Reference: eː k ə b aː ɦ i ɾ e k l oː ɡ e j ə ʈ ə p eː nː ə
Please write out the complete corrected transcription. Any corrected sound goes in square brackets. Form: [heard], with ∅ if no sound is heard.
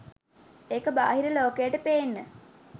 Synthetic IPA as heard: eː k ə b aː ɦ i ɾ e [∅] l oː [k] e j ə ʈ ə p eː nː ə

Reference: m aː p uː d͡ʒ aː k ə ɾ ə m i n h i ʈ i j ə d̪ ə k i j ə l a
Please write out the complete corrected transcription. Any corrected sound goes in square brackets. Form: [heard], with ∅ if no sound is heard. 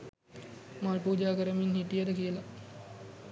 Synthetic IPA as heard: m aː p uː d͡ʒ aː k ə ɾ ə m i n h i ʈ i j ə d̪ ə k i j ə l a

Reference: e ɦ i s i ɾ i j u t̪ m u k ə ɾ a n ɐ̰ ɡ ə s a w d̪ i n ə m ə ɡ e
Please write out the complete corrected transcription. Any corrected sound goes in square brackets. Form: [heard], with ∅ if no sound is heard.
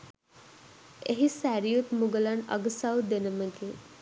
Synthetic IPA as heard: e ɦ i s [æ] ɾ i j u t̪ m u [ɡ] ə [l] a n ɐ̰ ɡ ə s a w d̪ [e] n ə m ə ɡ e

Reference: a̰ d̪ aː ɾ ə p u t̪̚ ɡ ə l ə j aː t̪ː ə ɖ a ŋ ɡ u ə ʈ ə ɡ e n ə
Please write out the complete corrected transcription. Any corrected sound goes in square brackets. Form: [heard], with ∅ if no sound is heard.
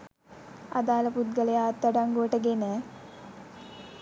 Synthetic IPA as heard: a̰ d̪ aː [l] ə p u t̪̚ ɡ ə l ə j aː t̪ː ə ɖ a ŋ ɡ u ə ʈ ə ɡ e n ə

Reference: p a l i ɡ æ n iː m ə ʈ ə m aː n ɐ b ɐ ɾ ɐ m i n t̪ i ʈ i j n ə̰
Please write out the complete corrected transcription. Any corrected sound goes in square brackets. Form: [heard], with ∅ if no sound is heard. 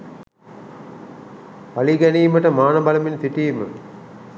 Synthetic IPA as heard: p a l i ɡ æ n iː m ə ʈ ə m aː n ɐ b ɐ [l] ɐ m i n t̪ i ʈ i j [m] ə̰

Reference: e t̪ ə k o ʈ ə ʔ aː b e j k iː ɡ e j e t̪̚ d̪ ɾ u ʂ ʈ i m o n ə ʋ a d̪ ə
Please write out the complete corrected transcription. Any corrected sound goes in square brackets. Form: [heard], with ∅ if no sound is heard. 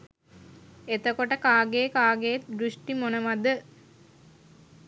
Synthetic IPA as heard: e t̪ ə k o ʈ ə [k] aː [ɡ] e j k [aː] ɡ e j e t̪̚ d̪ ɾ u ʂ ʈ i m o n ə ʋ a d̪ ə

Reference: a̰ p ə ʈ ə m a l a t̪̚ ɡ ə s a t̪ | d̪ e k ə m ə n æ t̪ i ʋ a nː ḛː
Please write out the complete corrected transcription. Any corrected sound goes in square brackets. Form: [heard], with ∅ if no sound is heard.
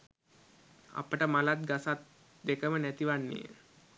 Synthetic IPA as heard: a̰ p ə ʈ ə m a l a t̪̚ ɡ [a] s a t̪ | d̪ e k ə m ə n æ t̪ i ʋ a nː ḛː

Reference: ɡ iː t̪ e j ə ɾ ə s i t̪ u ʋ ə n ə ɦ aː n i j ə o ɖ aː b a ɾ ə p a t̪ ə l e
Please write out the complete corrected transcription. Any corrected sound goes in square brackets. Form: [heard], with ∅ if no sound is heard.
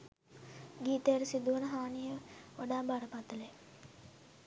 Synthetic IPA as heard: ɡ iː t̪ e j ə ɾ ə s i [d̪] u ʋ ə n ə ɦ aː n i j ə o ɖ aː b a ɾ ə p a t̪ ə l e

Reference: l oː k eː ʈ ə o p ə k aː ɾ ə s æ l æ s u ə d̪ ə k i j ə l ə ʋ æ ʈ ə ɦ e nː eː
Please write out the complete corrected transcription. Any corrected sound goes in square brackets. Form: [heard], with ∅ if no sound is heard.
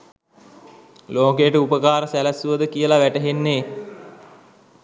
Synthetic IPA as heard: l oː k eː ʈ ə [u] p ə k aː ɾ ə s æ l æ s u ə d̪ ə k i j ə l [a] ʋ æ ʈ ə ɦ e nː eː

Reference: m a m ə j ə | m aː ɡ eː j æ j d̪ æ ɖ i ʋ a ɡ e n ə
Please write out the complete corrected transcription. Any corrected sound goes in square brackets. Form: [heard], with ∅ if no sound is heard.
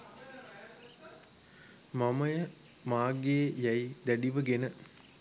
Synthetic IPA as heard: m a m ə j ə | m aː ɡ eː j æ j d̪ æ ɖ i ʋ [ə] ɡ e n ə

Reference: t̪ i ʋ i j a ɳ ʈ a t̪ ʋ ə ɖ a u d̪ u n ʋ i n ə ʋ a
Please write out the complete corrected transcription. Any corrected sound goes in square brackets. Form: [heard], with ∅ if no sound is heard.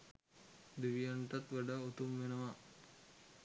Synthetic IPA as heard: [d̪] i ʋ i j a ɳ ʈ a t̪ ʋ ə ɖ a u [t̪] u [m] ʋ [e] n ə ʋ a

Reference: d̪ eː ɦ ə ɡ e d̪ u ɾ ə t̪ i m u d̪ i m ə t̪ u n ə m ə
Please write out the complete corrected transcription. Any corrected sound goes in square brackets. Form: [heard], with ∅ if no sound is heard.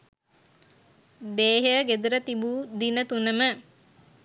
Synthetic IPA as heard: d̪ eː ɦ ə ɡ e d̪ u ɾ ə t̪ i [b] u d̪ i [n] ə t̪ u n ə m ə

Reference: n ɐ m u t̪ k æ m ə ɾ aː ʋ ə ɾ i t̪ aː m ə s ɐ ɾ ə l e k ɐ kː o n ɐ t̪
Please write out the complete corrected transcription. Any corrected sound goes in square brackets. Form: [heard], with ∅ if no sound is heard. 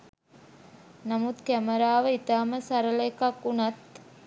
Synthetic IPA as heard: n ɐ m u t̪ k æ m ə ɾ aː ʋ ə [∅] i t̪ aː m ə s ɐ ɾ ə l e k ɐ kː [u] n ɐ t̪

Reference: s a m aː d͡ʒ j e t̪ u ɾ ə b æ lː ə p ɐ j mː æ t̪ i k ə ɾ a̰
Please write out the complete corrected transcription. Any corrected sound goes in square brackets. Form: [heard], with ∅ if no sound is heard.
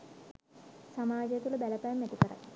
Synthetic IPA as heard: s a m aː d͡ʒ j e t̪ u [l] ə b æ [l] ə p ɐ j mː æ t̪ i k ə ɾ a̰

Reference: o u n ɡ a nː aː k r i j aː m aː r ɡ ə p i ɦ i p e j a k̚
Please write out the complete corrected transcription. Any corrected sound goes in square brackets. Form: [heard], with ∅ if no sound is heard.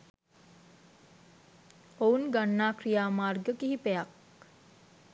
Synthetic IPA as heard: o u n ɡ a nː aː k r i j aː m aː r ɡ ə [k] i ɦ i p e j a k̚

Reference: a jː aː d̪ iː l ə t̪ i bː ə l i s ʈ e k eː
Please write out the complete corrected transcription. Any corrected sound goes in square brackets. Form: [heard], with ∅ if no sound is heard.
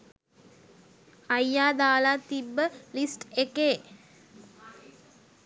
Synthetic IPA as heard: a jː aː d̪ [aː] l [a] t̪ i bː ə l i s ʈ e k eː

